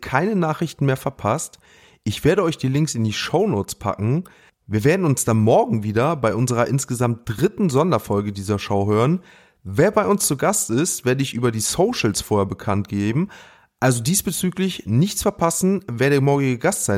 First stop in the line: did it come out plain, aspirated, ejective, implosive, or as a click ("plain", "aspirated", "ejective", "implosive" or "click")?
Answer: aspirated